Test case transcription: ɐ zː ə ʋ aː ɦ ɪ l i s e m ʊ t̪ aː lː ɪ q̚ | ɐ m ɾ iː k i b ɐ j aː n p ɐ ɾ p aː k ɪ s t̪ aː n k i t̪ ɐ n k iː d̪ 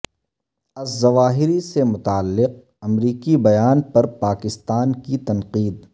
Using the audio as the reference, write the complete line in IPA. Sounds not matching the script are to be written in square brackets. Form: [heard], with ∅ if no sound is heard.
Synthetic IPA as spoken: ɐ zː [ɐ] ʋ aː ɦ ɪ [ɾ] i s e m ʊ t̪ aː lː ɪ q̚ | ɐ m ɾ iː k i b ɐ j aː n p ɐ ɾ p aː k ɪ s t̪ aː n k i t̪ ɐ n [q] iː d̪